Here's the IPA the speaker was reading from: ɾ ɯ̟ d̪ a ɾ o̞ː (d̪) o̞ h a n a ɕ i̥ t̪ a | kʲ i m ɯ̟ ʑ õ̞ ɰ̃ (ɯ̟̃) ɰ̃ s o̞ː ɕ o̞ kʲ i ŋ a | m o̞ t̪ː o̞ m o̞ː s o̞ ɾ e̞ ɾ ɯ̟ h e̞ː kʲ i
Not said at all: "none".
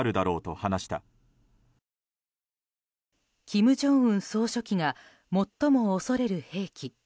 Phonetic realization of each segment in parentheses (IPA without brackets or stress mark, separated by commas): t̪, ɯ̟̃